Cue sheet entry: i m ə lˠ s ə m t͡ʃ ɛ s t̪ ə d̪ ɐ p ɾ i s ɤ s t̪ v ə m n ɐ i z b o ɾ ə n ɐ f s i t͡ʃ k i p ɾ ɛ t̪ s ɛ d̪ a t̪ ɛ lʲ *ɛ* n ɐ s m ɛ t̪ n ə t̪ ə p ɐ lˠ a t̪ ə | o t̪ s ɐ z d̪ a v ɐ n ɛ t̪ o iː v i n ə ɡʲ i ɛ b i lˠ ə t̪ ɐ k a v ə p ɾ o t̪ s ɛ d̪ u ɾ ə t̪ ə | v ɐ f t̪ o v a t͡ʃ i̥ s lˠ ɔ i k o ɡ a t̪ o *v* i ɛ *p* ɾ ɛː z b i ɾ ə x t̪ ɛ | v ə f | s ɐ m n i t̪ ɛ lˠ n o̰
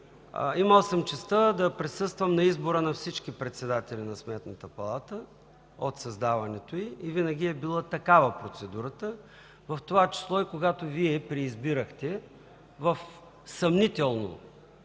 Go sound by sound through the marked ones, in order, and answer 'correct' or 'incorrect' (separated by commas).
incorrect, correct, correct